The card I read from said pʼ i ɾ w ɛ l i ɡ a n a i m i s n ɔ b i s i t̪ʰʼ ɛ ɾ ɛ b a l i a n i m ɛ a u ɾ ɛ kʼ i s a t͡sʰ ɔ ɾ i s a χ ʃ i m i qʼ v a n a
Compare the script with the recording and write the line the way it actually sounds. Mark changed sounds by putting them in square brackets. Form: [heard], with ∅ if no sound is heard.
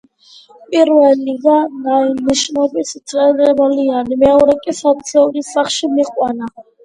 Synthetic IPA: pʼ i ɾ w ɛ l i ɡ a n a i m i [ʃ] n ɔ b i s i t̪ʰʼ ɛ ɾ ɛ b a l i a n i m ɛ a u ɾ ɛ kʼ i s a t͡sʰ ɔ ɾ i s a χ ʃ i m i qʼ [w] a n a